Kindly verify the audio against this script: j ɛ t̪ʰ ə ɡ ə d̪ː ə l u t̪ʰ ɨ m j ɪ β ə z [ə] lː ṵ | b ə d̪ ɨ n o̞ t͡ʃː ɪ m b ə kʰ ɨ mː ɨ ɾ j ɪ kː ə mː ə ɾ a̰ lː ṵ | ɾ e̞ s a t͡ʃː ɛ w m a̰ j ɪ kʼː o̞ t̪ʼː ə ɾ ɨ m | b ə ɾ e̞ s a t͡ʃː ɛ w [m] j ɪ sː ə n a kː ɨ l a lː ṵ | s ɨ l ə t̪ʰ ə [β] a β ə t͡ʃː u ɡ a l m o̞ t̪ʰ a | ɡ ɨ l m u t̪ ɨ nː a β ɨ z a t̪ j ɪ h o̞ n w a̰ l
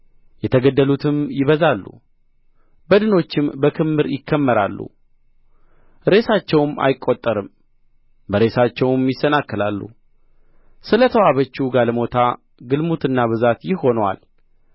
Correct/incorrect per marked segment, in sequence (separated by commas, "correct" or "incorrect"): incorrect, correct, incorrect